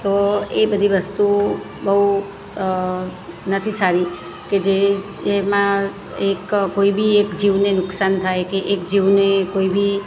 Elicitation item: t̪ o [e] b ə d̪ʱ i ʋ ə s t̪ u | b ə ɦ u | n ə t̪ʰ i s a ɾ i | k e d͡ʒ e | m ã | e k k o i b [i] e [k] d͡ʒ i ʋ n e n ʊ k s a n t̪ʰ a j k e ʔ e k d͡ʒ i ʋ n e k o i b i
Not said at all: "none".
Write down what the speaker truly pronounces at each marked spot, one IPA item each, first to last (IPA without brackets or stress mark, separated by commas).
e, i, k